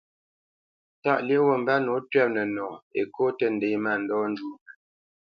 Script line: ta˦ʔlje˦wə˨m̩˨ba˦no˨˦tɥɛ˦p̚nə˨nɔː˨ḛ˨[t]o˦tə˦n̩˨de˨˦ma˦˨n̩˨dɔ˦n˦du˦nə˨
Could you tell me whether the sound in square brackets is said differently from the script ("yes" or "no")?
yes